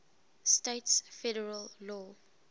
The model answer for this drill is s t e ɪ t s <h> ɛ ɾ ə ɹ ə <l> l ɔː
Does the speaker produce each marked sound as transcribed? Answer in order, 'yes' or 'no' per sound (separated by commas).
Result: no, yes